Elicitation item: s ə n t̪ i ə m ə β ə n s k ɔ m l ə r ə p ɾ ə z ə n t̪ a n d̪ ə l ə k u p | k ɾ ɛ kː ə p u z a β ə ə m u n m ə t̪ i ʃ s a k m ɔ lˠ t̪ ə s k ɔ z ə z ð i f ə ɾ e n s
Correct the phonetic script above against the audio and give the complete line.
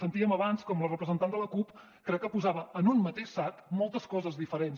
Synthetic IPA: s ə n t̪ i ə m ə β a n s k ɔ m l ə r ə p ɾ ə z ə n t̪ a n d̪ ə l ə k u p | k ɾ ɛ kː ə p u z a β ə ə n u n m ə t̪ e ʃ s a k m ɔ lˠ t̪ ə s k ɔ z ə z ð i f ə ɾ e n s

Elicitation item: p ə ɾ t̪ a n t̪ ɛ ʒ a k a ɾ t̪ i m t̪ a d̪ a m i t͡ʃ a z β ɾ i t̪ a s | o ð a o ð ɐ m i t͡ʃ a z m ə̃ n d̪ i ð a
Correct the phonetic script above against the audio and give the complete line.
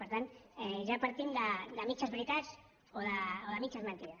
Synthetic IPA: p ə ɾ t̪ a n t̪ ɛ ʒ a p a ɾ t̪ i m d̪ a d̪ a m i t͡ʃ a z β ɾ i t̪ a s | o ð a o ð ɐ m i t͡ʃ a z m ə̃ n t̪ i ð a

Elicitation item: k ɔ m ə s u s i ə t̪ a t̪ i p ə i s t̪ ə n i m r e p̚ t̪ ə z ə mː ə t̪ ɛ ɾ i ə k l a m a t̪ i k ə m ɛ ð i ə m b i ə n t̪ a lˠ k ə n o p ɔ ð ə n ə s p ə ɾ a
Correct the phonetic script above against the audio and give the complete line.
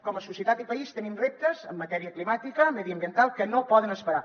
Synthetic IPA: k ɔ m ə s u s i ə t̪ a t̪ i p ə i s t̪ ə n i m r e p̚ t̪ ə z ə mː ə t̪ ɛ ɾ i ə k l i m a t̪ i k ə m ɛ ð i ə m b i ə n t̪ a lˠ k ə n o p ɔ ð ə n ə s p ə ɾ a

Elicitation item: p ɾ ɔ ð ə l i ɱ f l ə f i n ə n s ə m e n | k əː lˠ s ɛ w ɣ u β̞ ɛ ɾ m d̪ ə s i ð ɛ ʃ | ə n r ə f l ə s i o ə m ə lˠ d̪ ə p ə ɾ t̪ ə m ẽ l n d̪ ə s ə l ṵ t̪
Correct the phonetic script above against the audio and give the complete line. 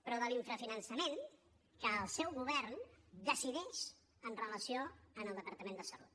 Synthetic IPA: p ɾ ɔ ð ə l i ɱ f ɾ ə f i n ə n s ə m e n | k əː lˠ s ɛ w ɣ u β̞ ɛ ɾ n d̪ ə s i ð ɛ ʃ | ə n r ə l ə s i o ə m ə lˠ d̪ ə p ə ɾ t̪ ə m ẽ n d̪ ə s ə l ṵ t̪

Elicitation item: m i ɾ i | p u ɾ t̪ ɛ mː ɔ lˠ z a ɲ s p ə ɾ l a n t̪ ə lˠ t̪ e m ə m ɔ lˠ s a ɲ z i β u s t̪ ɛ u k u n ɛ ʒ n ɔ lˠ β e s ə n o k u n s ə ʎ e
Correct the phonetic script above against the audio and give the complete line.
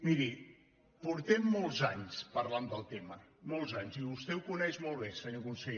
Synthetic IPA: m i ɾ i | p u ɾ t̪ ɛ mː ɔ lˠ z a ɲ s p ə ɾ l a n d̪ ə lˠ t̪ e m ə m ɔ lˠ z a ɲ z i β u s t̪ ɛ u k u n ɛ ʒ m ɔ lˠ β e s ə ɲ o k u n s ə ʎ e

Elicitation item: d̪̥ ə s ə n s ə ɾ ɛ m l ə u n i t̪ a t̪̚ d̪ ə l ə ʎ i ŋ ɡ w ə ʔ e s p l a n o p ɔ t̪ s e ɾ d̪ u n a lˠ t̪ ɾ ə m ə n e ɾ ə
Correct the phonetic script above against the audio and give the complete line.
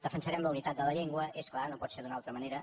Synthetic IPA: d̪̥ ə f ə n s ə ɾ ɛ m l ə u n i t̪ a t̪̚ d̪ ə l ə ʎ e ŋ ɡ w ə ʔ e s k l a n o p ɔ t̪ s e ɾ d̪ u n a lˠ t̪ ɾ ə m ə n e ɾ ə

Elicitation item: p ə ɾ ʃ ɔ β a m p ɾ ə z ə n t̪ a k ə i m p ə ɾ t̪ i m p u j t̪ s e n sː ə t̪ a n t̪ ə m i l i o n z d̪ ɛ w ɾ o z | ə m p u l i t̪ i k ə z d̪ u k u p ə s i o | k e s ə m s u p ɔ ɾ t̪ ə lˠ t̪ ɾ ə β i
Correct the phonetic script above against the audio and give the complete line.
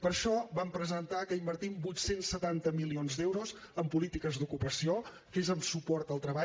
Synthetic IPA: p ə ɾ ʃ ɔ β a m p ɾ ə z ə n t̪ a k ə i m b ə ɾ t̪ i m b u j t̪ s e n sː ə t̪ a n t̪ ə m i l i o n z d̪ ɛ w ɾ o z | ə m p u l i t̪ i k ə z d̪ u k u p ə s i o | k e z ə m s u p ɔ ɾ t̪ ə lˠ t̪ ɾ ə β a

